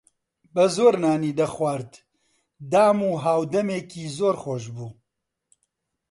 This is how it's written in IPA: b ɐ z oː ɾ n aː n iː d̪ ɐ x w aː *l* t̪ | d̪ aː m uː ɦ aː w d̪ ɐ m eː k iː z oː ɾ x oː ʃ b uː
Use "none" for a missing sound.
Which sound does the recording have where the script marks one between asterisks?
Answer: ɾ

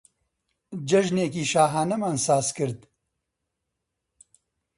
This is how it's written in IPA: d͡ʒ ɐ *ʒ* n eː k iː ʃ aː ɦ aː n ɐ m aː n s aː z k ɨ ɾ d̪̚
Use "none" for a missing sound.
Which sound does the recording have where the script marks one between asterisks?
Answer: ʒ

